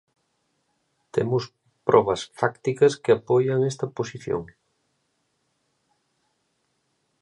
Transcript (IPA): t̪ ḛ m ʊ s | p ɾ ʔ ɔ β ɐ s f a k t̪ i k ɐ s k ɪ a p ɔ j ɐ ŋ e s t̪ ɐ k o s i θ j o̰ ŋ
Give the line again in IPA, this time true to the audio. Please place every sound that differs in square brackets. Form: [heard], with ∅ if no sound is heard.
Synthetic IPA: t̪ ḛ m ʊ s | p ɾ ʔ ɔ β ɐ s f a k t̪ i k ɐ s k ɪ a p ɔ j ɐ ŋ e s t̪ ɐ [p] o s i θ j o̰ ŋ